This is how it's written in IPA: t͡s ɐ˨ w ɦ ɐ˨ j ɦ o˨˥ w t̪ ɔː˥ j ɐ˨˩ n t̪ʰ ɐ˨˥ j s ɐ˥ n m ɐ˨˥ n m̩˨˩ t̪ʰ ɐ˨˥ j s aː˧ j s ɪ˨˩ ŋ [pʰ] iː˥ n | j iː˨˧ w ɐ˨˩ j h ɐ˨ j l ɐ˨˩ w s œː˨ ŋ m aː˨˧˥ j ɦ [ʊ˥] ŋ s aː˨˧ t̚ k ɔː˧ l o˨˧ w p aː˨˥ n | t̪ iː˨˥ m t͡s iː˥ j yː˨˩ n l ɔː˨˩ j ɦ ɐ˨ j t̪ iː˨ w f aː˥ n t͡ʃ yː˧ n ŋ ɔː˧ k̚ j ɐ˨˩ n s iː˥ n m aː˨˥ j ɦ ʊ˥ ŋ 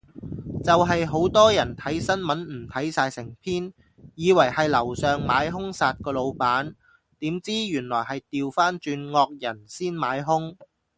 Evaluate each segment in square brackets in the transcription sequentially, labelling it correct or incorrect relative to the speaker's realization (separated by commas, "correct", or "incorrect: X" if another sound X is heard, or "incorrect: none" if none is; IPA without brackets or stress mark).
correct, correct